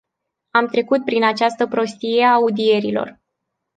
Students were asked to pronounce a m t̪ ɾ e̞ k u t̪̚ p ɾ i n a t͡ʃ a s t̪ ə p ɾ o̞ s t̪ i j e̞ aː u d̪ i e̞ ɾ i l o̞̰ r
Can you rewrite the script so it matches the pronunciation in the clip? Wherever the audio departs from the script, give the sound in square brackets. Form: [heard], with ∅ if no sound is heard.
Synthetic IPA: a m t̪ ɾ e̞ k u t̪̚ p ɾ i n a t͡ʃ a s t̪ ə p ɾ o̞ s t̪ i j e̞ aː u d̪ i e̞ ɾ i l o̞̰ r